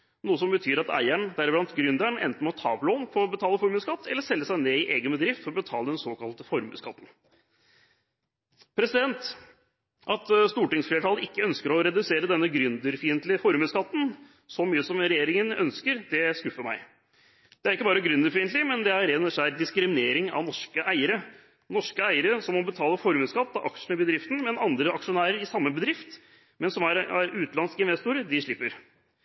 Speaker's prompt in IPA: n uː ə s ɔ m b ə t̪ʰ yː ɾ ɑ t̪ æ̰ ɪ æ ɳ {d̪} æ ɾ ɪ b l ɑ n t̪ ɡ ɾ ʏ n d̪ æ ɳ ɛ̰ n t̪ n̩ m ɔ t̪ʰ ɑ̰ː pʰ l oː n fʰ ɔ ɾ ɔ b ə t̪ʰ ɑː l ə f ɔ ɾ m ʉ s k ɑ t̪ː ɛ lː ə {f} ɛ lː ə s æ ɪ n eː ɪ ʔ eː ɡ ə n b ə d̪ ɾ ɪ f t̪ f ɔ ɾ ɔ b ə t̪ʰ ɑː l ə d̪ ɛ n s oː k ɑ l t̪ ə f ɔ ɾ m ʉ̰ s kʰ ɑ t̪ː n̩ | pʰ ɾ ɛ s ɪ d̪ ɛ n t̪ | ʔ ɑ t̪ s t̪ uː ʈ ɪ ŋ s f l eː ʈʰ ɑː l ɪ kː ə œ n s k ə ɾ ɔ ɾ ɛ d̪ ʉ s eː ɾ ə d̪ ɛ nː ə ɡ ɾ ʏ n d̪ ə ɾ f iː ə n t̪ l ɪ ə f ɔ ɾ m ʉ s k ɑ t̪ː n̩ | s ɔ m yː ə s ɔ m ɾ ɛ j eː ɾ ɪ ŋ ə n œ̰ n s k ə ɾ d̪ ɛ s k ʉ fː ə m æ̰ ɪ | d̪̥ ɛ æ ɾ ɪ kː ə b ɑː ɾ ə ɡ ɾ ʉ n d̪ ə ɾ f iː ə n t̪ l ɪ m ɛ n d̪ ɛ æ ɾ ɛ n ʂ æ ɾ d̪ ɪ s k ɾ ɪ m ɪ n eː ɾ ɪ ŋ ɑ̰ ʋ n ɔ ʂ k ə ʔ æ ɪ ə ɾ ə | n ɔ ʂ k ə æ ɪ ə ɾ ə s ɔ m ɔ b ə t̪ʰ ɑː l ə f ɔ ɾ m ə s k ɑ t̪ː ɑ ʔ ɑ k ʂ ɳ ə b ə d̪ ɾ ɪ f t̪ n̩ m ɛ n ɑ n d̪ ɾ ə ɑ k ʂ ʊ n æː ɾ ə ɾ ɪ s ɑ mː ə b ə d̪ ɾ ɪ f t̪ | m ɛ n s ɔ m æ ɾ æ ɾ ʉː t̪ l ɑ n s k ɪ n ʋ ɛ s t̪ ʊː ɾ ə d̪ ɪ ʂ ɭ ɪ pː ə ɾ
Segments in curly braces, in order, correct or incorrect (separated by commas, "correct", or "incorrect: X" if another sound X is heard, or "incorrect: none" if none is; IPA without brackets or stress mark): correct, incorrect: ʂ